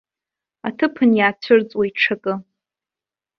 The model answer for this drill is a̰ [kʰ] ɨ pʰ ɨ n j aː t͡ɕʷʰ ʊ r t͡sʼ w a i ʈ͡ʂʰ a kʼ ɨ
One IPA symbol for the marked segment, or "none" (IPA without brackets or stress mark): tʰ